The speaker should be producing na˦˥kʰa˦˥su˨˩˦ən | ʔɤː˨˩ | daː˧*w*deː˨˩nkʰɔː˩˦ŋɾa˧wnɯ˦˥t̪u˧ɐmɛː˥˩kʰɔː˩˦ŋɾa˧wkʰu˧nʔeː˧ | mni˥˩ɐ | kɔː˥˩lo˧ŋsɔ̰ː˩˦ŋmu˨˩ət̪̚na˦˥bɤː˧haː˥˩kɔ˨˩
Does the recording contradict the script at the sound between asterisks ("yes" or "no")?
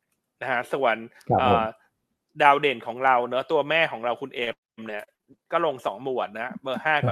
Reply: no